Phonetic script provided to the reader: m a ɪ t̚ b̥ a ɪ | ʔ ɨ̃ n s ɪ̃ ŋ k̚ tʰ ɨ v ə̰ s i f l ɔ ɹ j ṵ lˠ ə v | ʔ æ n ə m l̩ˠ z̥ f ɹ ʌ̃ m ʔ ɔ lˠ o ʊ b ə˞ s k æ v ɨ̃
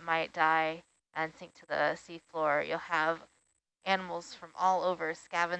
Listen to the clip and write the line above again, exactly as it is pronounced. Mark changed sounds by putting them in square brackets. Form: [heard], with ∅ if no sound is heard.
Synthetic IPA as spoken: m a ɪ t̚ [d̥] a ɪ | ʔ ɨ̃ n s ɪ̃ ŋ k̚ tʰ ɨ [ð] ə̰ s i f l ɔ ɹ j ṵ lˠ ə v | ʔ æ n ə m l̩ˠ z̥ f ɹ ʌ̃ m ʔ ɔ lˠ o ʊ [v] ə˞ s k æ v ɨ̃